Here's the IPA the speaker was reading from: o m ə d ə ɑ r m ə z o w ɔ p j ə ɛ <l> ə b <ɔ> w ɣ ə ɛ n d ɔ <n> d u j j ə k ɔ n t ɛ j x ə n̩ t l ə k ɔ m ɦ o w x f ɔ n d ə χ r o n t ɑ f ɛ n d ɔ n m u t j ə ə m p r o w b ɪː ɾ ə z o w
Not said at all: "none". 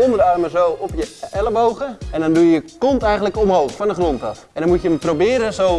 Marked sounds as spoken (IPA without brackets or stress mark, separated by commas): l, o, n